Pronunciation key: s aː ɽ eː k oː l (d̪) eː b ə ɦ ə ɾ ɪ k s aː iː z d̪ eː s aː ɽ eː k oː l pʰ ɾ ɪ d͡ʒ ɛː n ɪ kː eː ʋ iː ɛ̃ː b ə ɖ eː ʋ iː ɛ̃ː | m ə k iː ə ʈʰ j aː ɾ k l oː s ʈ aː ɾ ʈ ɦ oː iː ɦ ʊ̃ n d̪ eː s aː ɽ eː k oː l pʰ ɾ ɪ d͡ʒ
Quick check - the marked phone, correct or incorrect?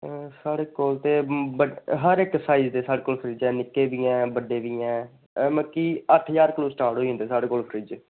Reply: incorrect: t̪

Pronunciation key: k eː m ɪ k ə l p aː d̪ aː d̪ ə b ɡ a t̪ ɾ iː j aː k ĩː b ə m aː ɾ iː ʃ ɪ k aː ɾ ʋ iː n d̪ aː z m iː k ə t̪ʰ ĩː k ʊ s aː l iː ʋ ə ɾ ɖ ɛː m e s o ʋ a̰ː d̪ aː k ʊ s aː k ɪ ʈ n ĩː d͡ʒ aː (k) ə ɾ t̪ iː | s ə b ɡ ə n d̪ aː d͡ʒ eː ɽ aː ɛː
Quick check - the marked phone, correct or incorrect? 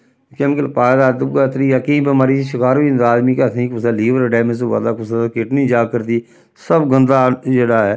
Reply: correct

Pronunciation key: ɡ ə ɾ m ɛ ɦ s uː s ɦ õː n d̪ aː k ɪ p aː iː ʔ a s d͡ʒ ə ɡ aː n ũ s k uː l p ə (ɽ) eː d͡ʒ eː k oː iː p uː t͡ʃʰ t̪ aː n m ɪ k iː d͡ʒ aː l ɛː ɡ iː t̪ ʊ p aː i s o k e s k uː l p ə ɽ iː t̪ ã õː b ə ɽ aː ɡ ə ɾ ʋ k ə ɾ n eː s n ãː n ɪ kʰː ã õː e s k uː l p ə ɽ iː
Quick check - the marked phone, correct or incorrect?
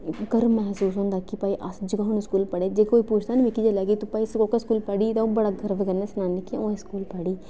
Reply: correct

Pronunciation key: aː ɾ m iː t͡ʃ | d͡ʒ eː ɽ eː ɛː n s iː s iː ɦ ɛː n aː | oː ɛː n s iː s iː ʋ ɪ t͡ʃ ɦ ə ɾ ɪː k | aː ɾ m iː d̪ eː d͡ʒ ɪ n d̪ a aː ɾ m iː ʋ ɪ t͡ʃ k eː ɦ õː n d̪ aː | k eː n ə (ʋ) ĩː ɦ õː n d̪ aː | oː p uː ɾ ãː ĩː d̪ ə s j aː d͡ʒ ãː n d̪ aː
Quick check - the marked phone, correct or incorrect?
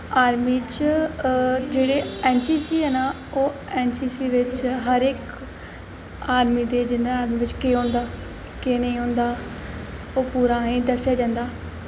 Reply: incorrect: none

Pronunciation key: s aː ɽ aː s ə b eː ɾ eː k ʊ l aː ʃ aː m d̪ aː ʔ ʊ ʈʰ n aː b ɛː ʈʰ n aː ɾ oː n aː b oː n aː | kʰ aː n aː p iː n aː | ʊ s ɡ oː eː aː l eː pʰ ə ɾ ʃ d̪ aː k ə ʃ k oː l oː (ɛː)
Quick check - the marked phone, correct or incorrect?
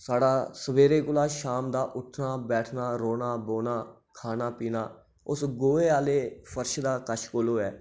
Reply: correct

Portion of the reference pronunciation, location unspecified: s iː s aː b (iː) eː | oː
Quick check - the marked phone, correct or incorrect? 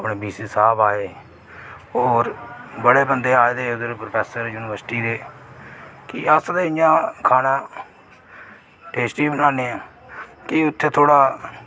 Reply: incorrect: aː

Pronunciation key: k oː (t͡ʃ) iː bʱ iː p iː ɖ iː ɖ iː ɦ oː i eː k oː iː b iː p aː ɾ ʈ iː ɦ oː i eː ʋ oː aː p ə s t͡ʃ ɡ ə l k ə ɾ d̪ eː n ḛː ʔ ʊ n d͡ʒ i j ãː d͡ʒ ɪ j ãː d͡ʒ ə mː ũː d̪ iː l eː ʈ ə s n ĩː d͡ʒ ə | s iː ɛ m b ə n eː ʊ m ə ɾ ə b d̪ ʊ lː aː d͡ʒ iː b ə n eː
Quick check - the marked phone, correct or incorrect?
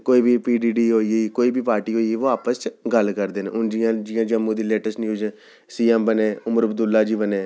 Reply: incorrect: none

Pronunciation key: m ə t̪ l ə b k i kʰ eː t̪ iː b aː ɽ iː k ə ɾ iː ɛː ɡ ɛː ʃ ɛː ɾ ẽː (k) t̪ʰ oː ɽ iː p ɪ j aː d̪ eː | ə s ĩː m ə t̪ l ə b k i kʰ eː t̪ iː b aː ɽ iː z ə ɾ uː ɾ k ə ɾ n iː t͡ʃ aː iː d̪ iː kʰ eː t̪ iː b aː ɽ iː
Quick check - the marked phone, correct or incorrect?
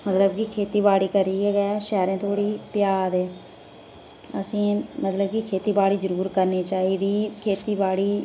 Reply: incorrect: none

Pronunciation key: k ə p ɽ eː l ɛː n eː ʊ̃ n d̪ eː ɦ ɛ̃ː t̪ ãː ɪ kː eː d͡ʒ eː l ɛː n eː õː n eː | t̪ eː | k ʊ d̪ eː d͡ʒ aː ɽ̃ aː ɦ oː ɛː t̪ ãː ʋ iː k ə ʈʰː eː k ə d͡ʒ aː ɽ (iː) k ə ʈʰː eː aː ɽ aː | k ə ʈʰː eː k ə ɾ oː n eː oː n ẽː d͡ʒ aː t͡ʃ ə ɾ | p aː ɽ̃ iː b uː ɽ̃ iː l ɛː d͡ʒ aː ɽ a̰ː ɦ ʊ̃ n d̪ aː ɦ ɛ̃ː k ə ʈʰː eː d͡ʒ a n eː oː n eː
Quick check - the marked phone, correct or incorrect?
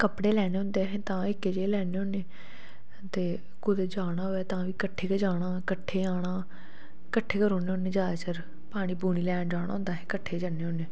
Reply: incorrect: aː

